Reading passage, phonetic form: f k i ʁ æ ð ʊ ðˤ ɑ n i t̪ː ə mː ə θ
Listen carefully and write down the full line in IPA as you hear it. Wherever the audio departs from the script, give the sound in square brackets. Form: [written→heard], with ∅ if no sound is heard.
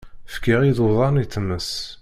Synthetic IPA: f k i ʁ [æ→i] ð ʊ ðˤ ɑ n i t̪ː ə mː ə [θ→s]

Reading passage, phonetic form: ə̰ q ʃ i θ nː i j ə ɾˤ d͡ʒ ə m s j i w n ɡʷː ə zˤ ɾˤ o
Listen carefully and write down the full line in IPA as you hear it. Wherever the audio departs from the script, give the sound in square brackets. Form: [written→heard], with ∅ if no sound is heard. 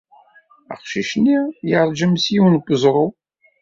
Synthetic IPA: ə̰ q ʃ i [θ→ʃ] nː i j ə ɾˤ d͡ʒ ə m s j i w n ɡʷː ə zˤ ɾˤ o

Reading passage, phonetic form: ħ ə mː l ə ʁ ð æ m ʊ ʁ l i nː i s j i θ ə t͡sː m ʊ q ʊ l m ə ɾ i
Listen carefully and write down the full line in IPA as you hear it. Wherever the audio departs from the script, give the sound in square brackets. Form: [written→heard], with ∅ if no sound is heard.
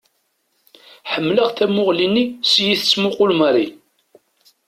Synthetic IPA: ħ ə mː l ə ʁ [ð→θ] æ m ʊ ʁ l i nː i s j i θ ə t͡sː m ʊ q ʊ l m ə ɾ i

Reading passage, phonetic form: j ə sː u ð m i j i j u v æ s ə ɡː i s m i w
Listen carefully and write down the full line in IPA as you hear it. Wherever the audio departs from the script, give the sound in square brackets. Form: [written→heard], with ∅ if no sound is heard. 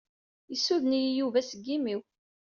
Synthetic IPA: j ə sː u ð [m→n] i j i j u v æ s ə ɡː i [s→∅] m i w

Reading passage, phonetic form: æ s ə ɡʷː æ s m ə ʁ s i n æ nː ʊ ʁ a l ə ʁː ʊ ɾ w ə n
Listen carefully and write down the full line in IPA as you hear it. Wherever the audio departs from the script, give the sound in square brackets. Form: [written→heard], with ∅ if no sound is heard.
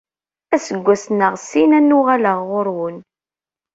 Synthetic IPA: æ s ə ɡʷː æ s [m→n] ə ʁ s i n æ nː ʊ ʁ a l ə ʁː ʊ ɾ w ə n

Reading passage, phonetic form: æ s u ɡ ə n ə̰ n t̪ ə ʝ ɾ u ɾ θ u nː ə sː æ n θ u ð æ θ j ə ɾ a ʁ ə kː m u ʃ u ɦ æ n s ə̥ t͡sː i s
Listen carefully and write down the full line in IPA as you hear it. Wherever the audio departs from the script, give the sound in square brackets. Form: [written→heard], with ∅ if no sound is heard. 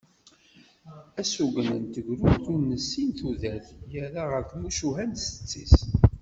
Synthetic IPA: æ s u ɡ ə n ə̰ n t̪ ə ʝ ɾ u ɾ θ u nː ə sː [æ→i] n θ u ð æ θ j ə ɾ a ʁ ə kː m u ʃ u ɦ æ n s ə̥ t͡sː i s

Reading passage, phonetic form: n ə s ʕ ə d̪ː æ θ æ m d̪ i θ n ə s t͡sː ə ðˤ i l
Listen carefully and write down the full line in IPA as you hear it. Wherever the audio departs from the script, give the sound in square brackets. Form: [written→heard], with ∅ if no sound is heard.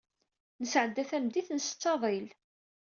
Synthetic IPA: n ə s ʕ ə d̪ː æ θ æ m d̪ i θ n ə s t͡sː [ə→ɑ] ðˤ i l

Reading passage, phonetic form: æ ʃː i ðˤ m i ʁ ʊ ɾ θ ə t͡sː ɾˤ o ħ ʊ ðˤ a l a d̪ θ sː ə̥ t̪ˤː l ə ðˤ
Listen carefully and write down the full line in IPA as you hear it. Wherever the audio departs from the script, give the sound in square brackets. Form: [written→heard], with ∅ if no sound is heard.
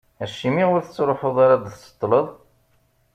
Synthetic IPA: æ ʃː i [ðˤ→∅] m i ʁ ʊ ɾ θ ə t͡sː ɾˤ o ħ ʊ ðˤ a [l→ɾ] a d̪ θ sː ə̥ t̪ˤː l ə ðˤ

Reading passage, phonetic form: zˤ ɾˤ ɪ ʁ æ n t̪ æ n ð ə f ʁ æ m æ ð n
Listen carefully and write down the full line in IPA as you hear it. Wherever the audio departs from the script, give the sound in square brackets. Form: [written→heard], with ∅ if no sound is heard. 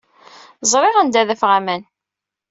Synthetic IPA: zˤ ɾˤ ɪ ʁ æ n [t̪→d̪] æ [n→∅] ð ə f ʁ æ m æ [ð→∅] n

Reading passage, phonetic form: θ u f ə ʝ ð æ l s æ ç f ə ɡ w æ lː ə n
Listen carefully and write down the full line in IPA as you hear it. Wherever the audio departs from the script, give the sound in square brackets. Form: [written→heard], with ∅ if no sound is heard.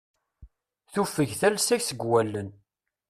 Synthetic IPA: θ u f ə ʝ [ð→θ] æ l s æ ç [f→s] ə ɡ w æ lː ə n

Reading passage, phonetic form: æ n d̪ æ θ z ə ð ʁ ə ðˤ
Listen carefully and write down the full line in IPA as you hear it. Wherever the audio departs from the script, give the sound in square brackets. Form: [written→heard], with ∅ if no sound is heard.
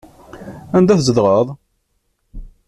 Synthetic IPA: æ n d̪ æ θ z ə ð ʁ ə ðˤ

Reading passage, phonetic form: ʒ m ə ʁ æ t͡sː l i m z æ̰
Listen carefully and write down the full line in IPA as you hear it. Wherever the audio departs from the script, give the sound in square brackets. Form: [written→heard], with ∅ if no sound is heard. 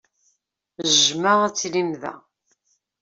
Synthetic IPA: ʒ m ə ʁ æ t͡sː l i m [z→ð] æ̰

